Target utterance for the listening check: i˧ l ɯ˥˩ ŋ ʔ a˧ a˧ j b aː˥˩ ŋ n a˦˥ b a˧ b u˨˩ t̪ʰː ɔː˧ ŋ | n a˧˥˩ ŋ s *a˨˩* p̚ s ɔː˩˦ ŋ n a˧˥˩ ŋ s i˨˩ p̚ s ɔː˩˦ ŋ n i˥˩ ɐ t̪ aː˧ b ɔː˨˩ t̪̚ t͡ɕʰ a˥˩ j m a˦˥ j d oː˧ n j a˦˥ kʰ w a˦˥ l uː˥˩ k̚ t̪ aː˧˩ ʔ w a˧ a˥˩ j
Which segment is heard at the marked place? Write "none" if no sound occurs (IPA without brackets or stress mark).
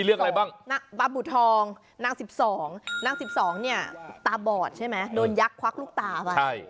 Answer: i˨˩